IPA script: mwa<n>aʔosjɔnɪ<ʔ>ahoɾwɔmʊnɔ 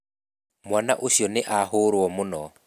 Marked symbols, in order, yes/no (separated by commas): yes, yes